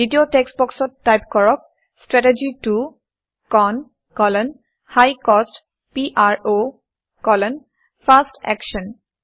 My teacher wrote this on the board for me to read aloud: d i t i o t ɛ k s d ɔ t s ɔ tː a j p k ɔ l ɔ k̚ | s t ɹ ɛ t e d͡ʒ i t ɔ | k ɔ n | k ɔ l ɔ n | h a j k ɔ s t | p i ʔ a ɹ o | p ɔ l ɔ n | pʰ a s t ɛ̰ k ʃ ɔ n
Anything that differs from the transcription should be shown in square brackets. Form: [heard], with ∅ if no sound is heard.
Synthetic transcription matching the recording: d i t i o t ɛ k s [b] ɔ [k] s ɔ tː a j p k ɔ [ɹ] ɔ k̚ | s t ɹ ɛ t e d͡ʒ i t [u] | k ɔ n | k ɔ l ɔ n | h a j k ɔ s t | p i ʔ a ɹ o | [k] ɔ l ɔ n | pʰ a s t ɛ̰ k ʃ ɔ n